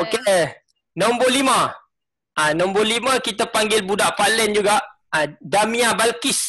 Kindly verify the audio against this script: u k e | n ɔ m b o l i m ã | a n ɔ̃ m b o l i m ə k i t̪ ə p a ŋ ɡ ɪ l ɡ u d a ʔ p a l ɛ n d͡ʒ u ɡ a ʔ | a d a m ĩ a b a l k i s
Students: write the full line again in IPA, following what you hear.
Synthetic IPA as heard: o k e | n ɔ m b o l i m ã | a n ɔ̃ m b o l i m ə k i t̪ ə p a ŋ ɡ ɪ l b u d a ʔ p a l ɛ n d͡ʒ u ɡ a ʔ | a d a m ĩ a b a l k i s